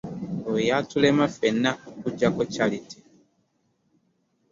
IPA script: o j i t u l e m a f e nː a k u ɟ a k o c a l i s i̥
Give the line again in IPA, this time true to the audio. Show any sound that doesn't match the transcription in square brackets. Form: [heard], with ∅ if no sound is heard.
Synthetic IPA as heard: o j [a] t u l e m a f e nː a k u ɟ a k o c a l i [t] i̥